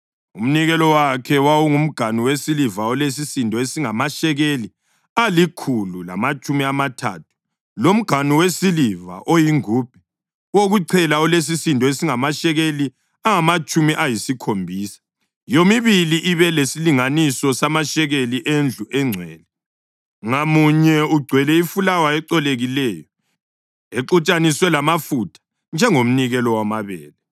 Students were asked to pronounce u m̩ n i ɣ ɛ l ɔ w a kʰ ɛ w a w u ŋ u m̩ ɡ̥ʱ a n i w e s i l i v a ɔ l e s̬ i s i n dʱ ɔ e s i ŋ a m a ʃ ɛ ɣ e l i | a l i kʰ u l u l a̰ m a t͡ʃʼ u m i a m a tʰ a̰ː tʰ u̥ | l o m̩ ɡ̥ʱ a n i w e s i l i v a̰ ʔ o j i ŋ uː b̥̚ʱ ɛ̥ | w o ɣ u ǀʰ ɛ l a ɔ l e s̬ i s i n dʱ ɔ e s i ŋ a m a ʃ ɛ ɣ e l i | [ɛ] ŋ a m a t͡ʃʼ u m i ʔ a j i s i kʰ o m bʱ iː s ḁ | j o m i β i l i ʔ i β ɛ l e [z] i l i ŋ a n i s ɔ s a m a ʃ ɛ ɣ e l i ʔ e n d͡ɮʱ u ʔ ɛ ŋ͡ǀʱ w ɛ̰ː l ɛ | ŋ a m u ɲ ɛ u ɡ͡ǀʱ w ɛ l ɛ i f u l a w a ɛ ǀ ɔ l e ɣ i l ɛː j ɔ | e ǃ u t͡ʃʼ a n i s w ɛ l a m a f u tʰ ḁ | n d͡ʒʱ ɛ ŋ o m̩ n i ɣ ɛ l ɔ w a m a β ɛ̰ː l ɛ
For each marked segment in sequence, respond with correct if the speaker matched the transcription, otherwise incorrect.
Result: incorrect, incorrect

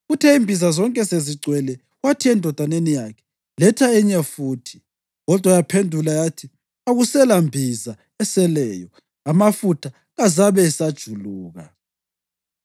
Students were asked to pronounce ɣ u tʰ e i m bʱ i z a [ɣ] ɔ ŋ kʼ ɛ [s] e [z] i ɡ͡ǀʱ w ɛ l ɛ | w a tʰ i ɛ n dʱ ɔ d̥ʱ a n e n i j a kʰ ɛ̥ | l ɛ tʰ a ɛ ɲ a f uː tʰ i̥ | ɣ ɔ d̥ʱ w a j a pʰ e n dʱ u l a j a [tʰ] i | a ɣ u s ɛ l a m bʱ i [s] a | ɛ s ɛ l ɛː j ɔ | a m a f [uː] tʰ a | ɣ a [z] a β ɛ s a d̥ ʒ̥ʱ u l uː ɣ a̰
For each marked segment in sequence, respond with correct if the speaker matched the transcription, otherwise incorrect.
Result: incorrect, correct, correct, correct, incorrect, incorrect, correct

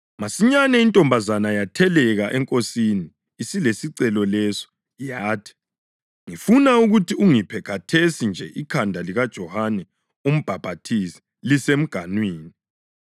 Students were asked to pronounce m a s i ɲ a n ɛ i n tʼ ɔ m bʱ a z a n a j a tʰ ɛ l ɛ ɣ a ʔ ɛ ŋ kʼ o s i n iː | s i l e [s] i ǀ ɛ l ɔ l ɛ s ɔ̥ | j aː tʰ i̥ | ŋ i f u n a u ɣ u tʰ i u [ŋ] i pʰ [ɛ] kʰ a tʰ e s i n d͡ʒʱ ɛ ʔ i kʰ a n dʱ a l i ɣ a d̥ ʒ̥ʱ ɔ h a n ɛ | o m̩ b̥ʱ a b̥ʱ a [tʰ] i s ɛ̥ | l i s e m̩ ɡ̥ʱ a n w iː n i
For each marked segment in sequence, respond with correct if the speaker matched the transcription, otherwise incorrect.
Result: correct, correct, correct, correct

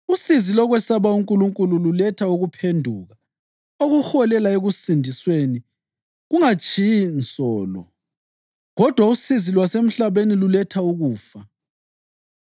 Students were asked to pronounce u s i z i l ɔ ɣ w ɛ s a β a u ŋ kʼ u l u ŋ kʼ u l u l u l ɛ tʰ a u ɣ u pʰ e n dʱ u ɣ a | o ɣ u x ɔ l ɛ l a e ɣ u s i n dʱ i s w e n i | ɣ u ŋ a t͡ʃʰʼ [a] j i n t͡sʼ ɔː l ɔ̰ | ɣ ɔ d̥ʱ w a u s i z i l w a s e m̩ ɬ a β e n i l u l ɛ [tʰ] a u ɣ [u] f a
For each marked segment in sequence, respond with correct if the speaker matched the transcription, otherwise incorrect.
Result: incorrect, correct, incorrect

